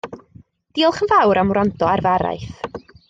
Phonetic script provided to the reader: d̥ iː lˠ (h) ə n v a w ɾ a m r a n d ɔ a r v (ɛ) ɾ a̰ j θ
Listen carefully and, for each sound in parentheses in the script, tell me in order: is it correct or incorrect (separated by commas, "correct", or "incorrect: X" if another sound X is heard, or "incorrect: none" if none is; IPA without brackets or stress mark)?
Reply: incorrect: χ, incorrect: a